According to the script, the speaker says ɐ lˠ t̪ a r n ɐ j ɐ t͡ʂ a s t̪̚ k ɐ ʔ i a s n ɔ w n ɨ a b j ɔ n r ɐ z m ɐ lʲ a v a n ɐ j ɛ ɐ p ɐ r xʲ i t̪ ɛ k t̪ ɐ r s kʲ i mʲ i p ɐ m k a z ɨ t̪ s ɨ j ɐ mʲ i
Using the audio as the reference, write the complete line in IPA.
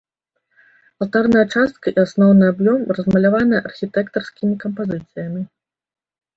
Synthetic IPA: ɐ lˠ t̪ a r n ɐ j ɐ t͡ʂ a s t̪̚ k ɐ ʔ i a s n ɔ w n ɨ a b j ɔ m r ɐ z m ɐ lʲ a v a n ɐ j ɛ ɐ ʔ ɐ r xʲ i t̪ ɛ k t̪ ɐ r s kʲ i mʲ i k ɐ m p a z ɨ t̪ s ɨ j ɐ mʲ i